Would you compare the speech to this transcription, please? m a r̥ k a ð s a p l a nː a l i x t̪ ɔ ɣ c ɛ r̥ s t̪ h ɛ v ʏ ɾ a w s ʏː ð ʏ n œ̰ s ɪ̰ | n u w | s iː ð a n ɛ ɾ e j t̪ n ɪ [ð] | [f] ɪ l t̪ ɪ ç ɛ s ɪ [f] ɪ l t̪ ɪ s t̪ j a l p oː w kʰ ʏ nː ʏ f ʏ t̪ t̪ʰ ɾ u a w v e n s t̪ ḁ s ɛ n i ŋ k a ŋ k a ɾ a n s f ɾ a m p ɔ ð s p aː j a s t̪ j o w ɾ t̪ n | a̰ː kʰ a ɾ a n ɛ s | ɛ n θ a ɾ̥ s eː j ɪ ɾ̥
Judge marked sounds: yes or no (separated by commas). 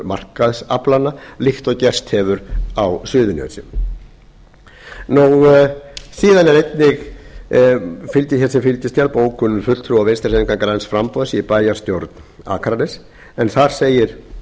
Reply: no, yes, yes